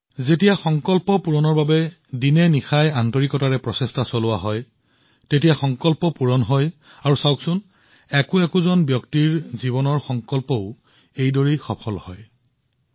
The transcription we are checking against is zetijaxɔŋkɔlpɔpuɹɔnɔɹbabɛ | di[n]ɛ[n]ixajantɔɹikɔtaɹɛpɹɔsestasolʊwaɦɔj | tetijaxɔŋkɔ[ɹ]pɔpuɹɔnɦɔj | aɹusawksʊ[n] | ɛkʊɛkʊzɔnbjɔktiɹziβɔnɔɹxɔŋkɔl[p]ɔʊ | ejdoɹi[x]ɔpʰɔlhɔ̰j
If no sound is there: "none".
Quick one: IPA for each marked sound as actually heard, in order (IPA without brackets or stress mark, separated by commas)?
n, n, l, n, p, x